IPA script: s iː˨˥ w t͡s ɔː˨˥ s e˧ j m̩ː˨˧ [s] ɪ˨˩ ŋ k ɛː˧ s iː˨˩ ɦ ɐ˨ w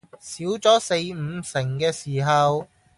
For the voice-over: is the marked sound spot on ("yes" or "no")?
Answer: yes